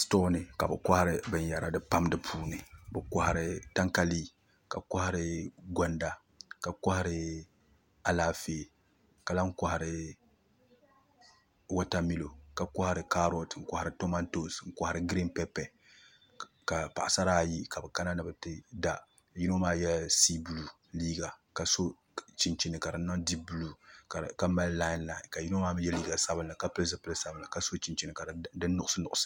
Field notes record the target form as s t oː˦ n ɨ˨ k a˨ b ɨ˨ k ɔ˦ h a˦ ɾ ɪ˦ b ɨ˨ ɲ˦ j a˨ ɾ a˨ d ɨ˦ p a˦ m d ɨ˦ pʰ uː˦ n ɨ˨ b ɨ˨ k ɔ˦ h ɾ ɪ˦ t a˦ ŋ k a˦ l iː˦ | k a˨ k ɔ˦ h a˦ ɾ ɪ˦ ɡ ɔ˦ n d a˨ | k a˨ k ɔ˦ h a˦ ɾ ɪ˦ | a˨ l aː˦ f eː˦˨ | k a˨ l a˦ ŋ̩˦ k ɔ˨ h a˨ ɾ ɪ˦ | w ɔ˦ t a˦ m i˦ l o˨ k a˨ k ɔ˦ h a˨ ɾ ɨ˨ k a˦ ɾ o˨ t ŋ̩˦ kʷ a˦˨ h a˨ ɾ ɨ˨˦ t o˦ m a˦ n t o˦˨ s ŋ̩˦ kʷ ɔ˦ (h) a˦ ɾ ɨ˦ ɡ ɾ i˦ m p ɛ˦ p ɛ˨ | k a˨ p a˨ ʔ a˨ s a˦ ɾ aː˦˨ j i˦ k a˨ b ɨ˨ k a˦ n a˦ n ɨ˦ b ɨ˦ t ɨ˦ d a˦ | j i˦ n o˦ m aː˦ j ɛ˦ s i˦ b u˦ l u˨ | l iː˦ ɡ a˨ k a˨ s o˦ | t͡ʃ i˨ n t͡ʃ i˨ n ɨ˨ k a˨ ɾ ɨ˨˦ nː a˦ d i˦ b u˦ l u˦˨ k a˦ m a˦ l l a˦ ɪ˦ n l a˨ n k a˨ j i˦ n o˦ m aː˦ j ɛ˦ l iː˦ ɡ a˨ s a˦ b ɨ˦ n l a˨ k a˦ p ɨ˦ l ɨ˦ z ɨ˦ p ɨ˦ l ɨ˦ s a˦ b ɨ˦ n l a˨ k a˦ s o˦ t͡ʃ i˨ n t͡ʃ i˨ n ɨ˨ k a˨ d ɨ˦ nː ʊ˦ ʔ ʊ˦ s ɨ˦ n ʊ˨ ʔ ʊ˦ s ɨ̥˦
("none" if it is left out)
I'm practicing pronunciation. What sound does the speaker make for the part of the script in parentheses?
h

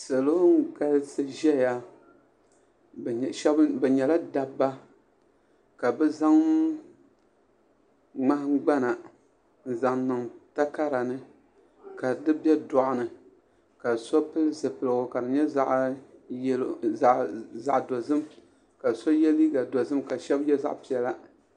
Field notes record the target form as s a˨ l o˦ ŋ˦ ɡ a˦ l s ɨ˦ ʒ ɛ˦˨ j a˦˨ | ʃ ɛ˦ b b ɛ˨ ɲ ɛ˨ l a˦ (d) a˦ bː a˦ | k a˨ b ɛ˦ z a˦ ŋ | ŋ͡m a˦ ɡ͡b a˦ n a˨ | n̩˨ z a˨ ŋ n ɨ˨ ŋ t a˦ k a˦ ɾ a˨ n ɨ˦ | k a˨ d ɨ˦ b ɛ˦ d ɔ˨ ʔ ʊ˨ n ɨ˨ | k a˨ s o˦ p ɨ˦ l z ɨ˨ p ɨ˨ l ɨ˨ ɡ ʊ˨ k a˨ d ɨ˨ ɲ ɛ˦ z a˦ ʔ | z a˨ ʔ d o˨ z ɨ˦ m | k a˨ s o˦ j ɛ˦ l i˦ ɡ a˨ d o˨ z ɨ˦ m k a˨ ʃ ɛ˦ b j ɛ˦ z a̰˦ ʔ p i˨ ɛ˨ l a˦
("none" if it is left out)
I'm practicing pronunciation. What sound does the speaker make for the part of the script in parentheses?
d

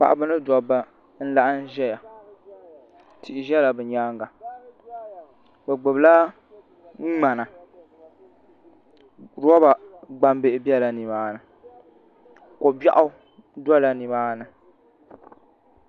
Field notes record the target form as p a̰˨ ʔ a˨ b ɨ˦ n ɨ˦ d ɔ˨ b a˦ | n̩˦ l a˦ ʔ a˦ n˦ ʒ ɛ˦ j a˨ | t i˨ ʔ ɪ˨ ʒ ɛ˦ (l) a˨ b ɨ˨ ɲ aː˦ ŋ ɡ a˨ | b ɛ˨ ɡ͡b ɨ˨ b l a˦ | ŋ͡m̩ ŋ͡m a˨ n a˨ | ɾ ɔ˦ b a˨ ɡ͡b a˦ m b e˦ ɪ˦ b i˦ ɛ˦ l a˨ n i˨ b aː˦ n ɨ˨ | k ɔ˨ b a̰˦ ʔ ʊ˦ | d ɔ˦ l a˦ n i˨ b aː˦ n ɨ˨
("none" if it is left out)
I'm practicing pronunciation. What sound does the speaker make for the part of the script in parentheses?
l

